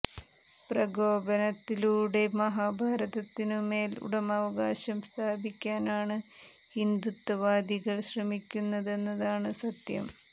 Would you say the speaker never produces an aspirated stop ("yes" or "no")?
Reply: no